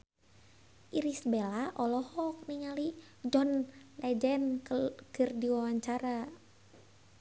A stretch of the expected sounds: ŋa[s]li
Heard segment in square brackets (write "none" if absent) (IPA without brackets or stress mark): none